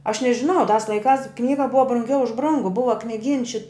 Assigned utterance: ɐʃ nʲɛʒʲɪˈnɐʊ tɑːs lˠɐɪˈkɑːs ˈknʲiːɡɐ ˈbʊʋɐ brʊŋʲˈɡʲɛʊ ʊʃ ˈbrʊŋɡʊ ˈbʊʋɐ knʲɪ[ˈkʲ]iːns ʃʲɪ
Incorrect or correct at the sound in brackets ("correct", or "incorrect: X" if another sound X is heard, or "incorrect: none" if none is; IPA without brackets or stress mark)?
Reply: incorrect: ɡʲ